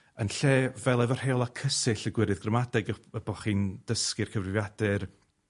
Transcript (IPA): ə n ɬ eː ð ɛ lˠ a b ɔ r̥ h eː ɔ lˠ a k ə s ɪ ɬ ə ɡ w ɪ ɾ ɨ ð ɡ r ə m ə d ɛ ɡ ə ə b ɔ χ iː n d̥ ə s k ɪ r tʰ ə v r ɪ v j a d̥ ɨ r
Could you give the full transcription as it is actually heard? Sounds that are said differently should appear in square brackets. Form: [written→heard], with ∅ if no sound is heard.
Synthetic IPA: ə n ɬ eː [ð→v] ɛ lˠ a [b→v] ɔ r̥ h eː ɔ lˠ a [k→kʰ] ə s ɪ ɬ ə ɡ w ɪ ɾ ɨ ð ɡ r ə m [ə→a] d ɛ ɡ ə ə b ɔ χ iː n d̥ ə s k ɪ r [tʰ→kʰ] ə v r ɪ v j a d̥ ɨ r

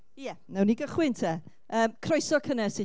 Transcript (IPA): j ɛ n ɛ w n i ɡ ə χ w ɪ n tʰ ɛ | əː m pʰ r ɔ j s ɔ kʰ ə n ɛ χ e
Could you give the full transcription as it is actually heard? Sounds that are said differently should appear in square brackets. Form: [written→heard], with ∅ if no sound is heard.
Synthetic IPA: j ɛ n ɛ w n i ɡ ə χ w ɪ n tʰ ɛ | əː m [pʰ→kʰ] r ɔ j s ɔ kʰ ə n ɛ [χ→s] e

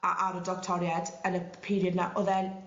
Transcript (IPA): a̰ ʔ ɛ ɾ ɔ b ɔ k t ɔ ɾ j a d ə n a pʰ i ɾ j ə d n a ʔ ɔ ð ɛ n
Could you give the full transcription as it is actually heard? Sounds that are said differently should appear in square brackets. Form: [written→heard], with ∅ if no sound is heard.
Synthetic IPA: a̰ ʔ [ɛ→a] ɾ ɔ [b→d] ɔ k [t→tʰ] ɔ ɾ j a d ə n [a→ə] pʰ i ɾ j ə d n a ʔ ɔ ð ɛ n

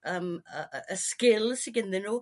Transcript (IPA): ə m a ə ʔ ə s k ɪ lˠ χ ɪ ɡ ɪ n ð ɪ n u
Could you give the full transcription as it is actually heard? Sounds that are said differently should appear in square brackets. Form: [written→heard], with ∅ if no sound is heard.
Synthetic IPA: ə m [a→ə] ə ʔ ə s k ɪ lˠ [χ→s] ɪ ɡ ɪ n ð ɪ n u

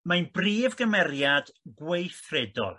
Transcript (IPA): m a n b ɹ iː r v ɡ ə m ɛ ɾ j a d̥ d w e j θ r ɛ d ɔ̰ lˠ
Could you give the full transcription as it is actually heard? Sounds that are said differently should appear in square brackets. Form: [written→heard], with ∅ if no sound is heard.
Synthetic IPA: m a n b [ɹ→r] iː [r→∅] v ɡ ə m ɛ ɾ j a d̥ [d→ɡ] w e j θ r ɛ d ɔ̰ lˠ

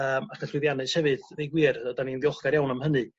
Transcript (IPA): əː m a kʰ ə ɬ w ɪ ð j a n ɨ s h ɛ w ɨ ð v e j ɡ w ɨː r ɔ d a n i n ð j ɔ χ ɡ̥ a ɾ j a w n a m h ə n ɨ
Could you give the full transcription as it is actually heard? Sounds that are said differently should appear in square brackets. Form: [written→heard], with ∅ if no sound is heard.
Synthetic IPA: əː m a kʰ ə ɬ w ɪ ð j a n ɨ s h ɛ [w→v] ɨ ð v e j ɡ w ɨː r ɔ d a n i n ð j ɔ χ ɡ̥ a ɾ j a w n a m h ə n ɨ

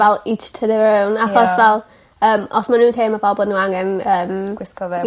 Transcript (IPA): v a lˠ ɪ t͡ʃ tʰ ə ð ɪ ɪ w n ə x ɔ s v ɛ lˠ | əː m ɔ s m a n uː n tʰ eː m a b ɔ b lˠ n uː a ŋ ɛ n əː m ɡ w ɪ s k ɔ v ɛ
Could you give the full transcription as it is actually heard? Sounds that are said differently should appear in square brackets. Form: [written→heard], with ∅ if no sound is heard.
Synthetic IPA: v [a→ɛ] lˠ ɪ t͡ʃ tʰ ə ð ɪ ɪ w n [ə→a] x ɔ s v ɛ lˠ | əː m ɔ s m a n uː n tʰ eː m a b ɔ b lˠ n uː a ŋ ɛ n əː m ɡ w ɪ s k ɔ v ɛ

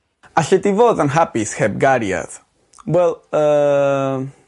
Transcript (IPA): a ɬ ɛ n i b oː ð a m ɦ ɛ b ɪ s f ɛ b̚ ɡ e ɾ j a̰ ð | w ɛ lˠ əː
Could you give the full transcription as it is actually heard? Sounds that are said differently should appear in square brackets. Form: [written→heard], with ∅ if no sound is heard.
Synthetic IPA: a ɬ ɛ [n→d] i [b→v] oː ð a [m→n] ɦ [ɛ→a] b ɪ s [f→h] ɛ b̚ ɡ [e→a] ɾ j a̰ ð | w ɛ lˠ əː

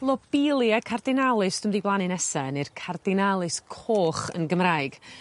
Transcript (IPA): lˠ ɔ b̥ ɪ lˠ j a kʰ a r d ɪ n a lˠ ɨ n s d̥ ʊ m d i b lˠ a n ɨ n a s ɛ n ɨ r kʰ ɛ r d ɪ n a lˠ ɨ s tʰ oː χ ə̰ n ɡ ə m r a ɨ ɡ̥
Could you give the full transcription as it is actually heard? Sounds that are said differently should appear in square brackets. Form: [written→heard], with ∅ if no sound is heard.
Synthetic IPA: lˠ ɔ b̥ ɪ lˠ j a kʰ a r d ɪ n a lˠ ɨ [n→∅] s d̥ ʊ m d i b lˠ a n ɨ n [a→ɛ] s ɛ n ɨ r kʰ [ɛ→a] r d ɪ n a lˠ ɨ s [tʰ→kʰ] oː χ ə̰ n ɡ ə m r a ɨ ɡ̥

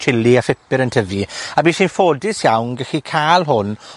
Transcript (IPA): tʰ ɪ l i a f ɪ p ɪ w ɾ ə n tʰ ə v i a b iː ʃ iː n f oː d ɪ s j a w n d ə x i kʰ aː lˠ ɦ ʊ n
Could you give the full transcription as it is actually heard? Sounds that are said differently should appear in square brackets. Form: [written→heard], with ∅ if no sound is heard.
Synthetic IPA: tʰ ɪ l i a f ɪ p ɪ [w→∅] ɾ ə n tʰ ə v i a b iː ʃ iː n f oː d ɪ s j a w n [d→ɡ] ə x i kʰ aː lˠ ɦ ʊ n

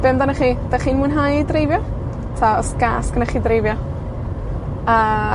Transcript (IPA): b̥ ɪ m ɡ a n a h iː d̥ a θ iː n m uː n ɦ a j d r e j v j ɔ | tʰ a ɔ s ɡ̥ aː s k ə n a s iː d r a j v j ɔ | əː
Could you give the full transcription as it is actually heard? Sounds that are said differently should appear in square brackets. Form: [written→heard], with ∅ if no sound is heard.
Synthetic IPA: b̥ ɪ m [ɡ→d] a n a [h→χ] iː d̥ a [θ→χ] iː n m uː n ɦ a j d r e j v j ɔ | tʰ a ɔ s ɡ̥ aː s k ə n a [s→χ] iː d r [a→e] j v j ɔ | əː

